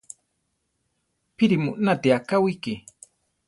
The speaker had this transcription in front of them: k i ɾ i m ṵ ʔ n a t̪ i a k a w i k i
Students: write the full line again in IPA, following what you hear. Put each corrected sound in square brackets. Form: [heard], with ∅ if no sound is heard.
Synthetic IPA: [p] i ɾ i m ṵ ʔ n a t̪ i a k a w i k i